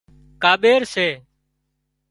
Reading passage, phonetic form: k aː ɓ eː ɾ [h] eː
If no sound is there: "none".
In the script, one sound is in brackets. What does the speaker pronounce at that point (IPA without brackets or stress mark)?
s